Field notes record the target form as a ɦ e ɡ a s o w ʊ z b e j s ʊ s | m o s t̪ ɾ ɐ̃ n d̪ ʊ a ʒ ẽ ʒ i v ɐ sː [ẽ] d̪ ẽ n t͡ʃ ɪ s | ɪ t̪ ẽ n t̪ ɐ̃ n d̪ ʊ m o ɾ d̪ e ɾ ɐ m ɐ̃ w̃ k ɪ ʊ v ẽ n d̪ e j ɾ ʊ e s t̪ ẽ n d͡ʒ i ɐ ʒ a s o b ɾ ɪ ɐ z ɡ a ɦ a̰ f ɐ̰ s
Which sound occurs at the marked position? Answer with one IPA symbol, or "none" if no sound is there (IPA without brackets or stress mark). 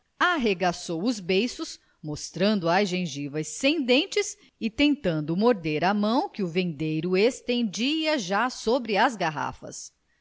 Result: ẽ